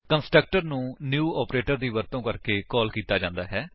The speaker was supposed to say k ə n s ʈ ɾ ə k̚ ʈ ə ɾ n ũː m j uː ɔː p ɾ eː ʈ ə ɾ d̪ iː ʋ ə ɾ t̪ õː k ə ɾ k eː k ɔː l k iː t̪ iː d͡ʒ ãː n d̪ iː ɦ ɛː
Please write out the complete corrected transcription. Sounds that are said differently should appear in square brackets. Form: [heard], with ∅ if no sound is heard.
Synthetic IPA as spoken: k ə n s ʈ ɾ ə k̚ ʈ ə ɾ n ũː [n] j uː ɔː p ɾ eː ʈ ə ɾ d̪ iː ʋ ə ɾ t̪ õː k ə ɾ k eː k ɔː l k iː t̪ [aː] d͡ʒ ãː n d̪ [aː] ɦ ɛː